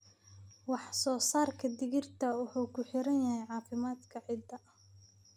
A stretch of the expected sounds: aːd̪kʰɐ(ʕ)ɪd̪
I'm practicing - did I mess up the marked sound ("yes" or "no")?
no